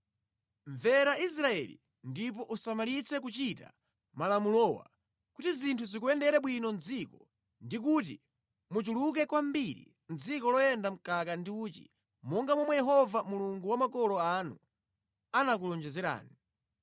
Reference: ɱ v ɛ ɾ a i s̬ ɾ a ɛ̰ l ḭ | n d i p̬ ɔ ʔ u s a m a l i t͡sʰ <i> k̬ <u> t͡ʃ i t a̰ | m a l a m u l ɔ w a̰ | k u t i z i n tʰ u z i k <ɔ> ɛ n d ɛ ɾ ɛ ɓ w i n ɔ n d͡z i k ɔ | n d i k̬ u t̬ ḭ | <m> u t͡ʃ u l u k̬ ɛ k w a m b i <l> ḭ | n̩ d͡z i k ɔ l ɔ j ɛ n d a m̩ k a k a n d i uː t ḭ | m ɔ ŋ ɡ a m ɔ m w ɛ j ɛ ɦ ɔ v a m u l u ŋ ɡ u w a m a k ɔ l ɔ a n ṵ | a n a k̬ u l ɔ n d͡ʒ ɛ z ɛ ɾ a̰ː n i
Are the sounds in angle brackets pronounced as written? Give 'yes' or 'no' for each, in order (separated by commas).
no, yes, no, yes, no